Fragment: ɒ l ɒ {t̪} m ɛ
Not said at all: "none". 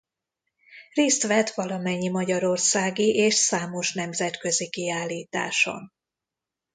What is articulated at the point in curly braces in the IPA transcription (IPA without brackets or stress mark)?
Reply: none